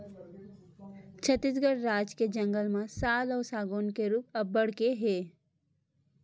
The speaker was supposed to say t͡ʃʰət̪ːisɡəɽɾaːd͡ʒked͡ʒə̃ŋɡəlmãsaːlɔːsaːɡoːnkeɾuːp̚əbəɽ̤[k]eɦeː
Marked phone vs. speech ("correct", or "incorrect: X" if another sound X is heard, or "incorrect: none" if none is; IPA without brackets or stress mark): correct